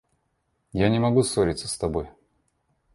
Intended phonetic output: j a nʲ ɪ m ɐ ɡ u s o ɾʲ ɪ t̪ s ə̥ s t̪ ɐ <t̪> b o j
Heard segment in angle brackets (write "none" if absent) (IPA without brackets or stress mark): none